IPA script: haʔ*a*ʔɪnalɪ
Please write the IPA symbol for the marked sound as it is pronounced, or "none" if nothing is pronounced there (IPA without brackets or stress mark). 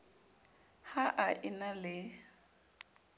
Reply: a